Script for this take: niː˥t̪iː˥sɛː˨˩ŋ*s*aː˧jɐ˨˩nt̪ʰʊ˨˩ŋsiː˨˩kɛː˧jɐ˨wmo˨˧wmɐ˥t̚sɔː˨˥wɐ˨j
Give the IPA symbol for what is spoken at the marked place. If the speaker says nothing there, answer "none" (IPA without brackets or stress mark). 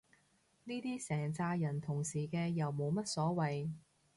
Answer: t͡s